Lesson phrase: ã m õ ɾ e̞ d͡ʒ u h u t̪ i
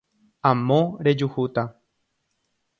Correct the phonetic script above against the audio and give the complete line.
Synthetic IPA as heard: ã m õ ɾ e̞ d͡ʒ u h u t̪ a